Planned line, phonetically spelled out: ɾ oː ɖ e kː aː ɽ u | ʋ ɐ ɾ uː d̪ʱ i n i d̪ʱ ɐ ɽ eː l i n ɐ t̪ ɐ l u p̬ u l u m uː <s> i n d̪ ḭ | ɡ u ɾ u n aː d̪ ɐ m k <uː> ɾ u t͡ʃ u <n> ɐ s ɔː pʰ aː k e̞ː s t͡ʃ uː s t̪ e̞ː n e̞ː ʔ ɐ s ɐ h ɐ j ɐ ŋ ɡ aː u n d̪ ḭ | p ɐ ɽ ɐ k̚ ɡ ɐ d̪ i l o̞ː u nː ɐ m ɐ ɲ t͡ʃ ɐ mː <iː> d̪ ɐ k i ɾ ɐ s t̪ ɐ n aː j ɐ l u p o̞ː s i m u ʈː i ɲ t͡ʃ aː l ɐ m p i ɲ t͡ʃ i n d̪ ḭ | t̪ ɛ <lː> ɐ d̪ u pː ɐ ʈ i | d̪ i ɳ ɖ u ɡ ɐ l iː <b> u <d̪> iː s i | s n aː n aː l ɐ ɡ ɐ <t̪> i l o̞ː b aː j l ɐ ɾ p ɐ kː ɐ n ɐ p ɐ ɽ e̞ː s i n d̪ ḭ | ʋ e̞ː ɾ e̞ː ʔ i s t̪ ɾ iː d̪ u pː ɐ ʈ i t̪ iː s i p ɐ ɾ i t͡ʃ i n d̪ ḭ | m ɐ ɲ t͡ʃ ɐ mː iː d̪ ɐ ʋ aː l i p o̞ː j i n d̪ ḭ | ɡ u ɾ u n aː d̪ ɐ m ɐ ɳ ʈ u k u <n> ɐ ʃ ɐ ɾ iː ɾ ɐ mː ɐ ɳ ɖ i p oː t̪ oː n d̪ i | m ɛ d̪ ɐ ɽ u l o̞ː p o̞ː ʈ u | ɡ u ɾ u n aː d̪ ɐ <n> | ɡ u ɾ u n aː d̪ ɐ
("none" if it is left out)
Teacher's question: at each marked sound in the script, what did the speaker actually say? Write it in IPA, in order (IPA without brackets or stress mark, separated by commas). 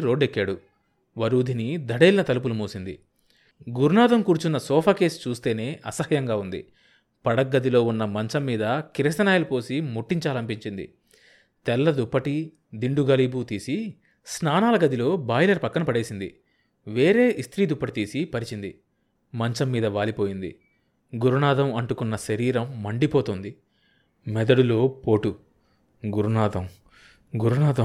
s, uː, nː, iː, lː, b, t̪, d̪, nː, m